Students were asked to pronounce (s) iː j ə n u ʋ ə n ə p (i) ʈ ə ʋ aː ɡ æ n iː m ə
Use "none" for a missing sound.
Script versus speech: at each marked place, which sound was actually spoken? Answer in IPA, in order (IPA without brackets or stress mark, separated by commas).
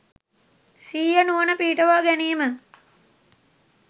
s, iː